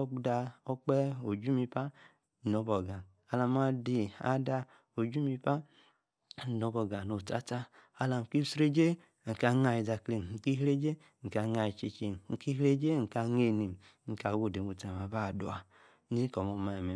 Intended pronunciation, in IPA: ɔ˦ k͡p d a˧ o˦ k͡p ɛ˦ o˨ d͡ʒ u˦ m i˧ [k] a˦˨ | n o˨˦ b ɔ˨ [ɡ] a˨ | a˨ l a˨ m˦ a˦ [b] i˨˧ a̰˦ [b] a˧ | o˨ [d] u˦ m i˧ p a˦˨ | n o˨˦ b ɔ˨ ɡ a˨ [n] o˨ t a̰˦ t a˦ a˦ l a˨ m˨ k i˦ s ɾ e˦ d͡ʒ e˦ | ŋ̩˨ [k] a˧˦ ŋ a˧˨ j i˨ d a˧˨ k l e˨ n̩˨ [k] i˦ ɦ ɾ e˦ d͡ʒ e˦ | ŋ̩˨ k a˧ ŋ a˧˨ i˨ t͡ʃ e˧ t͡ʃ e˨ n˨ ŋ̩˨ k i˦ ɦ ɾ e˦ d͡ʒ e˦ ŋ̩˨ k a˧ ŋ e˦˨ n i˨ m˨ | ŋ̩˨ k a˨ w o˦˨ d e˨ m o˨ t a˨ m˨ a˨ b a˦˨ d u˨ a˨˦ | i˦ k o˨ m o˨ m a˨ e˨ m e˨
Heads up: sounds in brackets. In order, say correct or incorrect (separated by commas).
incorrect, correct, incorrect, incorrect, incorrect, correct, correct, correct